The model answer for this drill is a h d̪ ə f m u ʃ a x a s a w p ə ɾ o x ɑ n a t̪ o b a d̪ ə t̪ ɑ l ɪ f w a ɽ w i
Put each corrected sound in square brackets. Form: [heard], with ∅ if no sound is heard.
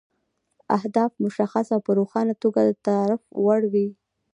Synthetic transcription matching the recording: a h d̪ [ɑ] f m [ʊ] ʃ a x a s a w p ə ɾ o x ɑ n a t̪ o [ɡ] a d̪ ə t̪ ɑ [ɾ] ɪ f w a ɽ w i